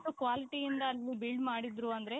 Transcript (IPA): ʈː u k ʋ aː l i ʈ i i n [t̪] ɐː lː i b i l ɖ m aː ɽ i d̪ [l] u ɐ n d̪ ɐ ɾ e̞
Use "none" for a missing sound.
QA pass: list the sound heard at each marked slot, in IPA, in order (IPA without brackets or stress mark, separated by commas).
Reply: d̪, ɾ